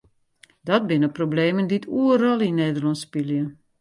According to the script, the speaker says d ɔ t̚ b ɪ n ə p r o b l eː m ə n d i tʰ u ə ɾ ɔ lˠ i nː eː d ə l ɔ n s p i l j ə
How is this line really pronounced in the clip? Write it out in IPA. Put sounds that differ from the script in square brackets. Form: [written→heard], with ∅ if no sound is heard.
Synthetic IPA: d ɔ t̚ b ɪ n ə p r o b l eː m ə n d i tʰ u ə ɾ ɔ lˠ i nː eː d ə l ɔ n s p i l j ə